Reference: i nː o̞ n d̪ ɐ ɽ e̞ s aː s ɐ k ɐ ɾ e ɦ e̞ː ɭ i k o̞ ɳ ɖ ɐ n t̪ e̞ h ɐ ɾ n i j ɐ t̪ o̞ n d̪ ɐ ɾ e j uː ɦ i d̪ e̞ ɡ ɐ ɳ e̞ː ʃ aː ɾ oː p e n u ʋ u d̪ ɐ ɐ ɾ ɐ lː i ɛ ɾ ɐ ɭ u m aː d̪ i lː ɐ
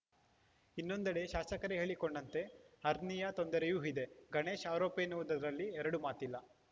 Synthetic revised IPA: i nː o̞ n d̪ ɐ ɽ e̞ ʃ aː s ɐ k ɐ ɾ e ɦ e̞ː ɭ i k o̞ ɳ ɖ ɐ n t̪ e̞ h ɐ ɾ n i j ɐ t̪ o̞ n d̪ ɐ ɾ e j uː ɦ i d̪ e̞ ɡ ɐ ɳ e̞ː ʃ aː ɾ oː p e n u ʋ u d̪ ɐ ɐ ɾ ɐ lː i ɛ ɾ ɐ ɽ u m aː t̪ i lː ɐ